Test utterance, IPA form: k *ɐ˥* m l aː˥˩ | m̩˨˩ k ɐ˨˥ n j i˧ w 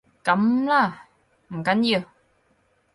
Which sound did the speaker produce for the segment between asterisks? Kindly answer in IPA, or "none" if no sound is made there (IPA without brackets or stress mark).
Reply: ɐ˨˥